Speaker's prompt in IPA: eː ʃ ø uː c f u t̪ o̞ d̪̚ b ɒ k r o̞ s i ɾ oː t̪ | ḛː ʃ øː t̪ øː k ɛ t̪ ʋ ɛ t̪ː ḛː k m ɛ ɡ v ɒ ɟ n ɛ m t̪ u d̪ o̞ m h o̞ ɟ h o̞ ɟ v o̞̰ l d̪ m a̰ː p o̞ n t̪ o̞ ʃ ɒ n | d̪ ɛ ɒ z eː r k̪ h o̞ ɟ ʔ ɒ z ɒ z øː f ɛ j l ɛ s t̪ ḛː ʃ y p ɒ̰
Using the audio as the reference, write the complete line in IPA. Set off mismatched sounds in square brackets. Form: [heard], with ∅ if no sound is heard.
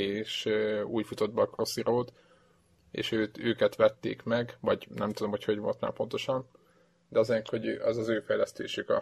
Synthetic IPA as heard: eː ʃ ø uː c f u t̪ o̞ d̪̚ b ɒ k r o̞ s i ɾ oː t̪ | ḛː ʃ øː t̪ øː k ɛ t̪ ʋ ɛ t̪ː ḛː k m ɛ ɡ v ɒ ɟ n ɛ m t̪ u d̪ o̞ m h o̞ [c] h o̞ ɟ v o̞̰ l [t̪] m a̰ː p o̞ n t̪ o̞ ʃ ɒ n | d̪ ɛ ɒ z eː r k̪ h o̞ ɟ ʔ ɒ z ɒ z øː f ɛ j l ɛ s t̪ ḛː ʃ y [k] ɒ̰